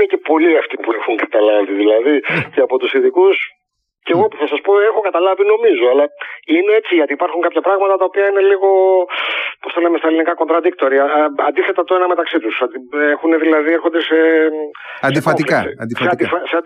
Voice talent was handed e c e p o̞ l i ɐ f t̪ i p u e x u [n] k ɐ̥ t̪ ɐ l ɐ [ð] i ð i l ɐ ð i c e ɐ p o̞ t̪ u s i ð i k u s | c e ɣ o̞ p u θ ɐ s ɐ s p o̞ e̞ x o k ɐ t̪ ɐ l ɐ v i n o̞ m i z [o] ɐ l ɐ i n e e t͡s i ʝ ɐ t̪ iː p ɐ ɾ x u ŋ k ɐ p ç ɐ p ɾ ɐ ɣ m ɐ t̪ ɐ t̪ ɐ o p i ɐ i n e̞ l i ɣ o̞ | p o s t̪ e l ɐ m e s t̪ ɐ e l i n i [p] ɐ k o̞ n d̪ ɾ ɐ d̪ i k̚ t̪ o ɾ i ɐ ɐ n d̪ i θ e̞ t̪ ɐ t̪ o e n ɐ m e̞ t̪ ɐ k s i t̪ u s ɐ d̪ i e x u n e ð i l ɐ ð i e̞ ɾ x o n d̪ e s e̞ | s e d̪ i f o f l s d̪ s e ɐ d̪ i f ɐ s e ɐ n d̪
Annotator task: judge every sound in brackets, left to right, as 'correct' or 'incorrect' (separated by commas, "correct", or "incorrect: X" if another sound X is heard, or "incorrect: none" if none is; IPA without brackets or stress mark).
incorrect: ŋ, incorrect: v, correct, incorrect: k